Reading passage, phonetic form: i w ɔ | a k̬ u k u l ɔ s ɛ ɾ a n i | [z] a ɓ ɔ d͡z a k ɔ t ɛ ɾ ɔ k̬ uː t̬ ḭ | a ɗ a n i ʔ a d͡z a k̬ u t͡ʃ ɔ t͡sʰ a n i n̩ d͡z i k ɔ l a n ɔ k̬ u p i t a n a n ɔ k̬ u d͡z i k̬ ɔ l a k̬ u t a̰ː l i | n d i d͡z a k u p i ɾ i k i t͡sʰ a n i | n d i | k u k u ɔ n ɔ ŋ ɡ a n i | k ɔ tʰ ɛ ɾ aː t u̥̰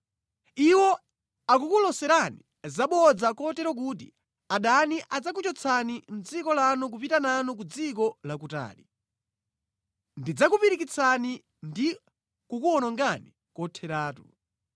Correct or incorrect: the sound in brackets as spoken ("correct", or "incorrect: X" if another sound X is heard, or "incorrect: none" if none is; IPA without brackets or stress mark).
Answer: correct